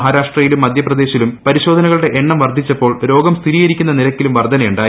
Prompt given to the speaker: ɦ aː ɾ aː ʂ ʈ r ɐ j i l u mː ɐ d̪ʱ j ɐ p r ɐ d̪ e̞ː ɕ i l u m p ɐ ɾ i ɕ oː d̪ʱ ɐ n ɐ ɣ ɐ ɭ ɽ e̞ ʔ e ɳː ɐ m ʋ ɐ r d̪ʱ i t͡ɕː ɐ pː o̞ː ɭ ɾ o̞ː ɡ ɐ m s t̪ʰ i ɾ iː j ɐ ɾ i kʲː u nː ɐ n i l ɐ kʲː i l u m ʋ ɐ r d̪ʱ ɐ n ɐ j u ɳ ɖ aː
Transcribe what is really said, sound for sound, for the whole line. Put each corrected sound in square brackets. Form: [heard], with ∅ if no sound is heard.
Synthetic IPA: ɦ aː ɾ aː ʂ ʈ r ɐ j i l u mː ɐ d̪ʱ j ɐ p r ɐ d̪ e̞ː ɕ i l u m p ɐ ɾ i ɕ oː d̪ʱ ɐ n ɐ ɣ ɐ ɭ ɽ e̞ ʔ e ɳː ɐ m ʋ ɐ r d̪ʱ i t͡ɕː ɐ pː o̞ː ɭ ɾ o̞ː ɡ ɐ m s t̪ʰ i ɾ iː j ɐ ɾ i kʲː u nː ɐ n i l ɐ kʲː i l u m ʋ ɐ r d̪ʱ ɐ n ɐ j u ɳ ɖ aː